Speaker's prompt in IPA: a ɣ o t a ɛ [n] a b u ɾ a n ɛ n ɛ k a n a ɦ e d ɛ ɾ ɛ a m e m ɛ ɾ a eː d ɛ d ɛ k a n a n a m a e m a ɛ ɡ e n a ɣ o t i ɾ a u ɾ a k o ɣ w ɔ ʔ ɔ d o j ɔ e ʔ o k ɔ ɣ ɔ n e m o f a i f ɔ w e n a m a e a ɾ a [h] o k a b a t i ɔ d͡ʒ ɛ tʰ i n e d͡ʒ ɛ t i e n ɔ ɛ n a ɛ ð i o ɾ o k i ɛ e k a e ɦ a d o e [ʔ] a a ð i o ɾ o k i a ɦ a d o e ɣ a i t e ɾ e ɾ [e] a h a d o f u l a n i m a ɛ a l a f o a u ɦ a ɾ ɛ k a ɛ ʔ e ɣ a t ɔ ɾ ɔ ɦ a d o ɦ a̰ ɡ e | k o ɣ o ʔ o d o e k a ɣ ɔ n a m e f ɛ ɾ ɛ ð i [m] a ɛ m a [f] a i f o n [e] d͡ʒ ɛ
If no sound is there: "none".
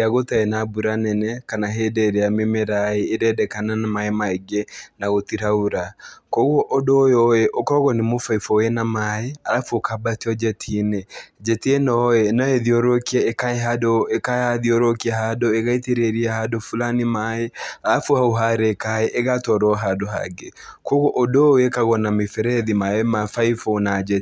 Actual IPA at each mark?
n, f, k, i, m, f, a

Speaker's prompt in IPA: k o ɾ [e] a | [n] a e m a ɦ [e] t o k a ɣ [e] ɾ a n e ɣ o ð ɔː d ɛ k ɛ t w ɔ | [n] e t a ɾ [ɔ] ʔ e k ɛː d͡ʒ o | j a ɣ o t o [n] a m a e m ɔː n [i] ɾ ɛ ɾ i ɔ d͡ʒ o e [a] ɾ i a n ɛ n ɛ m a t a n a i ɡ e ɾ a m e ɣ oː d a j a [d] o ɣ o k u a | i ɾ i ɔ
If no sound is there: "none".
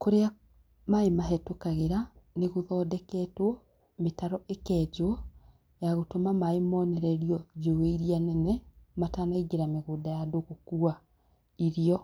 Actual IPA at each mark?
e, m, ɛ, e, m, ɔ, m, ɛ, i, d

